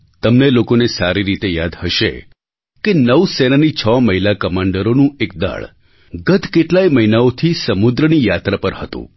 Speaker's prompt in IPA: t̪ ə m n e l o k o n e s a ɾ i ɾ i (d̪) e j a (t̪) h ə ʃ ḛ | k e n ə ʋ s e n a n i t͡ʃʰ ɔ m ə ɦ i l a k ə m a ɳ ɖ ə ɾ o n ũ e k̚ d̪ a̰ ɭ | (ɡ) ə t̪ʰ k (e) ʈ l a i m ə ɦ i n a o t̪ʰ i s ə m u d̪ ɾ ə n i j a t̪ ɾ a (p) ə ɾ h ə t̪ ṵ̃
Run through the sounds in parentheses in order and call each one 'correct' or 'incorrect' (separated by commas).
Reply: incorrect, incorrect, correct, correct, correct